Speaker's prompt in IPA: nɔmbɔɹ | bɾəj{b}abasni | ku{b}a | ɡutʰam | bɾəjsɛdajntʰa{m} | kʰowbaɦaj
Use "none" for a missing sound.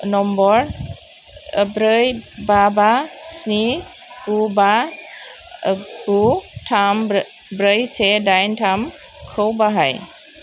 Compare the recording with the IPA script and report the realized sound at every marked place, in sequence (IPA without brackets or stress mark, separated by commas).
b, b, m